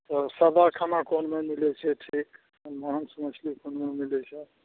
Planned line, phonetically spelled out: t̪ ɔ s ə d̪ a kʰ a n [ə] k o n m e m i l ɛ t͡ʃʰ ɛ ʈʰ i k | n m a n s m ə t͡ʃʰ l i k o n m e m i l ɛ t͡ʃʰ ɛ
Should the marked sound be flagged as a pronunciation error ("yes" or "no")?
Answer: yes